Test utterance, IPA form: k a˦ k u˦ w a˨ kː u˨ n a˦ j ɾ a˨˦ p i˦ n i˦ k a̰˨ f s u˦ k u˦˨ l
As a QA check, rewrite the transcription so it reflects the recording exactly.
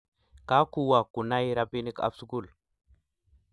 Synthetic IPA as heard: k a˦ k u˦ w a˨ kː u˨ n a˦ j ɾ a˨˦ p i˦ n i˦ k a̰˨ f s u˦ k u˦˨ l